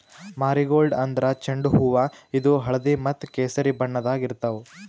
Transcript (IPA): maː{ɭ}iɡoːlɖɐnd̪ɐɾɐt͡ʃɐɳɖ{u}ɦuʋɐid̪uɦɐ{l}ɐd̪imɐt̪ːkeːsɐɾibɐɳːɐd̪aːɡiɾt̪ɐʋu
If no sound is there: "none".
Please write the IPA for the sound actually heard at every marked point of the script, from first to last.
ɾ, u, ɭ

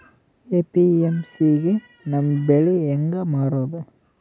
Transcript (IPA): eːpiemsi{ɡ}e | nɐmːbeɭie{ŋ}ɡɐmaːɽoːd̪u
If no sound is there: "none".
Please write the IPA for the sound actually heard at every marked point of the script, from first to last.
ɡ, ŋ

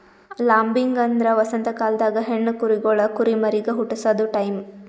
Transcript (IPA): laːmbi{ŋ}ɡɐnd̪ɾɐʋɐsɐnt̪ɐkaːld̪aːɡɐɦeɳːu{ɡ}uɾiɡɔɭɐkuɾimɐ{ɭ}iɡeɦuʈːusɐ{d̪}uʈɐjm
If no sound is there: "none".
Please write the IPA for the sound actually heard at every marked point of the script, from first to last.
ŋ, k, ɾ, d̪

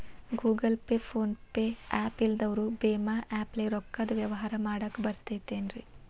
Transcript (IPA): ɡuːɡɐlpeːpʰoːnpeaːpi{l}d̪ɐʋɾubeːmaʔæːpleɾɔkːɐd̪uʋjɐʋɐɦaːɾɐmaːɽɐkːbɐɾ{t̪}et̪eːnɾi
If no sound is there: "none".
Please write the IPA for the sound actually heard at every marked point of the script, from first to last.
l, t̪

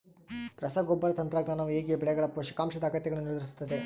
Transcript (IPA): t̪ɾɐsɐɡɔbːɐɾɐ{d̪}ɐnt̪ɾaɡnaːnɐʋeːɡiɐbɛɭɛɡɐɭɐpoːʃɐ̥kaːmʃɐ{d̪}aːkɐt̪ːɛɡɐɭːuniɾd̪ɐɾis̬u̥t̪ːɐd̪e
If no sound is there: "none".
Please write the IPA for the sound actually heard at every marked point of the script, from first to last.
t̪, d̪

